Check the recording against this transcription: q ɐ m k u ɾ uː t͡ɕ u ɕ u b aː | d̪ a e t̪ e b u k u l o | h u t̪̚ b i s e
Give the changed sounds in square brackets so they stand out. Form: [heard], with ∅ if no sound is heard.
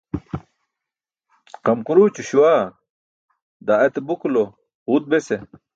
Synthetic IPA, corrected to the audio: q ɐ m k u ɾ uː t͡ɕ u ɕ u [w] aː | d̪ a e t̪ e b u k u l o | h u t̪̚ b [e] s e